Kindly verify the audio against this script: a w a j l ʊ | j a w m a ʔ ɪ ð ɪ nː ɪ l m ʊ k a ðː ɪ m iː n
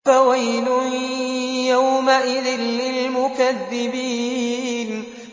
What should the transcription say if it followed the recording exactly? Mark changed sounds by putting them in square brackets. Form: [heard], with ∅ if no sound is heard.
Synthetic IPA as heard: a w a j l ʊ | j a w m a ʔ ɪ ð ɪ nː ɪ l m ʊ k a ðː ɪ [b] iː n